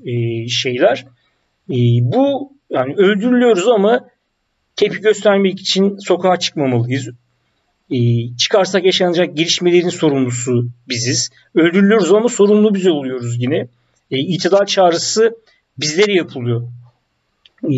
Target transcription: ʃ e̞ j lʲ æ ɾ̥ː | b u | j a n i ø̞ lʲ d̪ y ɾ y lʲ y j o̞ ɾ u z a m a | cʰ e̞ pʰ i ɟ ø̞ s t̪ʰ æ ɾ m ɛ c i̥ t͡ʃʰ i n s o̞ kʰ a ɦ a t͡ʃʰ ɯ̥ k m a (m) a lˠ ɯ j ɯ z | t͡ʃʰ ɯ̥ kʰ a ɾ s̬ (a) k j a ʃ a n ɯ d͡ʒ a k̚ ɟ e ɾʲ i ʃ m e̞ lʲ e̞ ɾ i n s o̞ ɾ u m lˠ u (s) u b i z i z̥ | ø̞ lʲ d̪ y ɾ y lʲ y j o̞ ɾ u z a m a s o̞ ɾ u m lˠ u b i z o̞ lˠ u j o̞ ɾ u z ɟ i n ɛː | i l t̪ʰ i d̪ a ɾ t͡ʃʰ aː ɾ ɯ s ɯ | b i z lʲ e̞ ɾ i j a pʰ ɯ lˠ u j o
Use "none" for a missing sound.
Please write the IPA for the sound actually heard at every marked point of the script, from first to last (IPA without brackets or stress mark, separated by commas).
m, a, s